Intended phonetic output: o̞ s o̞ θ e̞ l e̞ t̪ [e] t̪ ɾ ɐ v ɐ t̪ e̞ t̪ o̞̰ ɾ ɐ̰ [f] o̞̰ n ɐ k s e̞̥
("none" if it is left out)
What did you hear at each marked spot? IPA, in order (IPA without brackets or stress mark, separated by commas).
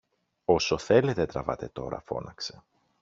e, f